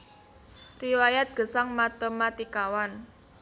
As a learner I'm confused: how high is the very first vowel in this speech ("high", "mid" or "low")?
high